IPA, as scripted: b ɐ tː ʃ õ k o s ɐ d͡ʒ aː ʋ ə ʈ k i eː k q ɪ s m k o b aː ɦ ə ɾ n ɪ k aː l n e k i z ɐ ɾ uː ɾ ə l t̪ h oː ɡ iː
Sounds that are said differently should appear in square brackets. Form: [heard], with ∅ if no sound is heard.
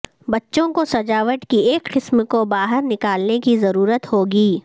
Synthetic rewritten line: b ɐ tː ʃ õ k o s ɐ d͡ʒ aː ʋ ə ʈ k i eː k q ɪ s m k o b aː ɦ ə ɾ n ɪ k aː l n e k i z ɐ ɾ uː ɾ ə [∅] t̪ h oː ɡ iː